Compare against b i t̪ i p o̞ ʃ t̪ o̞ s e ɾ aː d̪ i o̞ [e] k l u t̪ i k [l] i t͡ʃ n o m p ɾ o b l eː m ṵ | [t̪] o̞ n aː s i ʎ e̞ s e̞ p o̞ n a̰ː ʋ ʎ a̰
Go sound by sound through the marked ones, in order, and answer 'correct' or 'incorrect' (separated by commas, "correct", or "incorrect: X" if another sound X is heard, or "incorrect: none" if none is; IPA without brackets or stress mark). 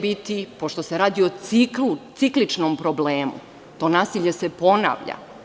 incorrect: i, correct, correct